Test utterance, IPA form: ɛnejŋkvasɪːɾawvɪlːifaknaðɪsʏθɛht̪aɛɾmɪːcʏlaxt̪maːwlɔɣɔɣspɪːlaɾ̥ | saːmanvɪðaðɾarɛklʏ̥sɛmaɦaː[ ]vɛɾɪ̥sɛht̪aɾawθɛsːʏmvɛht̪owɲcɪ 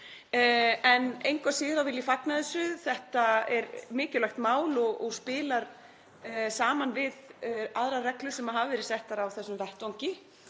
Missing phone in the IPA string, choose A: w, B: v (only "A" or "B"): B